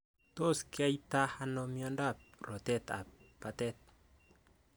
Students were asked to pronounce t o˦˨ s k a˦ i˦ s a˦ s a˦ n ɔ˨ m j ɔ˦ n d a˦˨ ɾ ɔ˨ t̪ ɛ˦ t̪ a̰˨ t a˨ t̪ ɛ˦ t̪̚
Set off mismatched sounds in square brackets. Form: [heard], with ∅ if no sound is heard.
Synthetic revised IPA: t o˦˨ s k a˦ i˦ [t] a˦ [h] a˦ n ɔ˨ m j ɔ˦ n d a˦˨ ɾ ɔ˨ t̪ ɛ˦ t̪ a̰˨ [p] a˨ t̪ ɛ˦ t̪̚